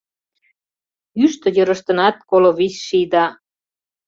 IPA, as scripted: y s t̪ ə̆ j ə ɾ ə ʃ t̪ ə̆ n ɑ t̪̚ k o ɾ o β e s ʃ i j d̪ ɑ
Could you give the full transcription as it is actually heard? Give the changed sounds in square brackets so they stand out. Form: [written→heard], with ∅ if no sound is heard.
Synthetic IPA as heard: y [s→ʃ] t̪ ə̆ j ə ɾ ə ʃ t̪ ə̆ n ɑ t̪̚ k o [ɾ→l] o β [e→i] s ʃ i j d̪ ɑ